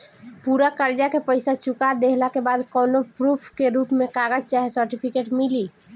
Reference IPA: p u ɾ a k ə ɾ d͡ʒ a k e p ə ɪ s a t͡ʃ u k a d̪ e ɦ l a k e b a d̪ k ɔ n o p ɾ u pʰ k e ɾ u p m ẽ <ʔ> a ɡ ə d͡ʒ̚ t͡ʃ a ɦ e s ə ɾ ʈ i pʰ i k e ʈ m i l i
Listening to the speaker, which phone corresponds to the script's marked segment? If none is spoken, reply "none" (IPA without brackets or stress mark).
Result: k